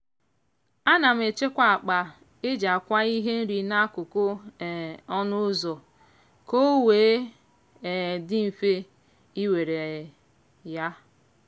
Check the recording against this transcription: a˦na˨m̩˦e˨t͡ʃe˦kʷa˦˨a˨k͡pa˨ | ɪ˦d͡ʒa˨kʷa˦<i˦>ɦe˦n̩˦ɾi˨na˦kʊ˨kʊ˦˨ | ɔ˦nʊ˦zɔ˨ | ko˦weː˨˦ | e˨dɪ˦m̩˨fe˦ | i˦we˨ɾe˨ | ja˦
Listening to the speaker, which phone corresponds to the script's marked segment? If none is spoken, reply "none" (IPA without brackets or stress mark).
i˦